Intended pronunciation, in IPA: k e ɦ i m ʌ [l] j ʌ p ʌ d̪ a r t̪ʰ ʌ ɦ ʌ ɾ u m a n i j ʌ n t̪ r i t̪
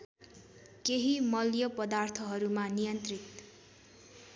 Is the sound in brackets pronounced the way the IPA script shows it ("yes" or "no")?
yes